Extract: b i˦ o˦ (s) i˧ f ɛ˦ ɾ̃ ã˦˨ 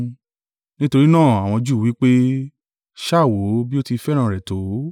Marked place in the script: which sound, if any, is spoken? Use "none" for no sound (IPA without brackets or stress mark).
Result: t